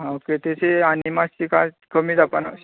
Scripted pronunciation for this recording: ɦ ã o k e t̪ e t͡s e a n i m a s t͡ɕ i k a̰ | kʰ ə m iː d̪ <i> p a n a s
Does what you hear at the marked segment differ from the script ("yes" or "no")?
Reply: yes